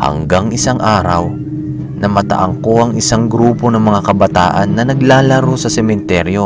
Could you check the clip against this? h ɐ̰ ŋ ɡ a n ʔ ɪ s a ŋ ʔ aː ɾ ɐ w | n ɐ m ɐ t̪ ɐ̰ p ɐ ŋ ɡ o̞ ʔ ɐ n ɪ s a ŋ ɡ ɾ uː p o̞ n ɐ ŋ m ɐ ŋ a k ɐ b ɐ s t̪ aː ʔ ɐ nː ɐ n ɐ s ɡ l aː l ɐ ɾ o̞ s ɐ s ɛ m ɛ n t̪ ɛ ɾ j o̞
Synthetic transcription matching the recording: h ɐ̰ ŋ ɡ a ŋ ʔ ɪ s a ŋ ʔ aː ɾ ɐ w | n ɐ m ɐ t̪ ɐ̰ ʔ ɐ ŋ k o̞ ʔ ɐ ŋ ɪ s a ŋ ɡ ɾ uː p o̞ n ɐ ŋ m ɐ ŋ a k ɐ b ɐ t̪ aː ʔ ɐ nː ɐ n ɐ ɡ l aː l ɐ ɾ o̞ s ɐ s ɛ m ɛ n t̪ ɛ ɾ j o̞